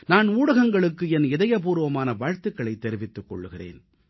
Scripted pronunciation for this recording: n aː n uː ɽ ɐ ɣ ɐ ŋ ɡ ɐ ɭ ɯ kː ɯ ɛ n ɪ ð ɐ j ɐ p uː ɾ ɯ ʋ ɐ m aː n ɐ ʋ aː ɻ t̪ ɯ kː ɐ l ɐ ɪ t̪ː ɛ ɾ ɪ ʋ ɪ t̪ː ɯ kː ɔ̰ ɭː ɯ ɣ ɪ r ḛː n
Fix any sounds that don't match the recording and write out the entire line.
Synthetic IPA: n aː n uː ɽ ɐ ɣ ɐ ŋ ɡ ɐ ɭ ɯ kː ɯ ɛ n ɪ ð ɐ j ɐ p uː ɾ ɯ ʋ ɐ m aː n ɐ ʋ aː ɻ t̪ ɯ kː ɐ ɭ ɐ ɪ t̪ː ɛ ɾ ɪ ʋ ɪ t̪ː ɯ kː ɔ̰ ɭː ɯ ɣ ɪ r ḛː n